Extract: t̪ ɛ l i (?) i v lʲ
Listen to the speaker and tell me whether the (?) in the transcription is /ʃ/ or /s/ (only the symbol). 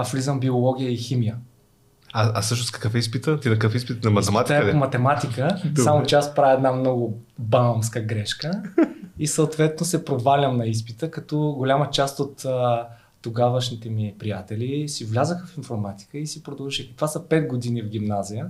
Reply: s